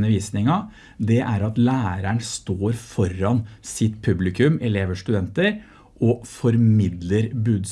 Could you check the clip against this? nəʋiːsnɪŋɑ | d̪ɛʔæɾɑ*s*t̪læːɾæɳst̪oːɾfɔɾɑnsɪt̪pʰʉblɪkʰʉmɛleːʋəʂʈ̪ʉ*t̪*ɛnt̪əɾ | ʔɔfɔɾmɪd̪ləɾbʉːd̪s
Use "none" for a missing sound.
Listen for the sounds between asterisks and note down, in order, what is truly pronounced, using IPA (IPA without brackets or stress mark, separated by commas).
none, d̪